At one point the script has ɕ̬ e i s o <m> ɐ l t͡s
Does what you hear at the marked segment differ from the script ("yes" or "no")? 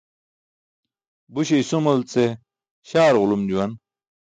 no